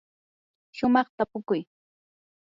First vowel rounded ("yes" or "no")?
yes